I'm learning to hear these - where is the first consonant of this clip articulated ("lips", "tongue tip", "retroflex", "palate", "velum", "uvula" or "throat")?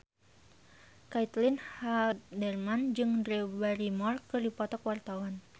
velum